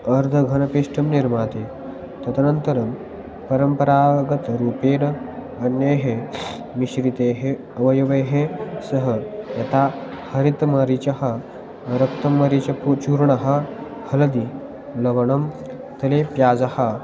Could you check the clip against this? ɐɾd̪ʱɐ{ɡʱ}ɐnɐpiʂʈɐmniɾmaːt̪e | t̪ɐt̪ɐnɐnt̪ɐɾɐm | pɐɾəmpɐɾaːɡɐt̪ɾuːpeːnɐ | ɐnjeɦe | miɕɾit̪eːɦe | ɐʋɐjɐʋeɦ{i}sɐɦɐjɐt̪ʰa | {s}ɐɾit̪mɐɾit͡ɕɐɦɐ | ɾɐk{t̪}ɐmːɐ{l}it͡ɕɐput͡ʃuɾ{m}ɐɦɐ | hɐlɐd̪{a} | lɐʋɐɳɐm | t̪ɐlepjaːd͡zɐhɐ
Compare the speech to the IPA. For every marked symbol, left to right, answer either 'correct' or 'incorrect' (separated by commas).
correct, incorrect, incorrect, correct, incorrect, incorrect, incorrect